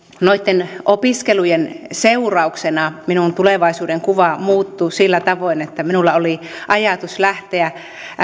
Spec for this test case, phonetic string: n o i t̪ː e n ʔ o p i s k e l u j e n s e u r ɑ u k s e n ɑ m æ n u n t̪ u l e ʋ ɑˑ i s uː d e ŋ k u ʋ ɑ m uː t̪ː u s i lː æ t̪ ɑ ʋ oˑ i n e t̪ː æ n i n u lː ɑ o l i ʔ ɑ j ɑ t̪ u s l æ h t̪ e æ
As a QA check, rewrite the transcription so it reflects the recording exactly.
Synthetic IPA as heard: n o i t̪ː e n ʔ o p i s k e l u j e n s e u r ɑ u k s e n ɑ m i n u n t̪ u l e ʋ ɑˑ i s uː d e ŋ k u ʋ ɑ m uː t̪ː u s i lː æ t̪ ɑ ʋ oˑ i n e t̪ː æ m i n u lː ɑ o l i ʔ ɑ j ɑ t̪ u s l æ h t̪ e æ